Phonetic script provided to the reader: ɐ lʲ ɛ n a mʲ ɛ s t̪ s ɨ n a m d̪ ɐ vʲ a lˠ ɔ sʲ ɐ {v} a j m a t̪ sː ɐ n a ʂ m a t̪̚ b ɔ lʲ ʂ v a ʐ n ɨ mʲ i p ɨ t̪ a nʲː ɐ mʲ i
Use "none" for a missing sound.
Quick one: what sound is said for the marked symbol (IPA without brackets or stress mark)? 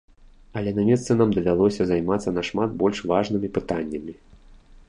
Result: z